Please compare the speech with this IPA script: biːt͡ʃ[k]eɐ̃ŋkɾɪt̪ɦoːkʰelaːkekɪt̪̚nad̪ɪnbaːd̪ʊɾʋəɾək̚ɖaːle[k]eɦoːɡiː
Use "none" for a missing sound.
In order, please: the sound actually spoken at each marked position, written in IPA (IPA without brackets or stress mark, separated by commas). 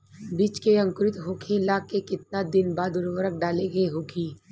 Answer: k, ɡ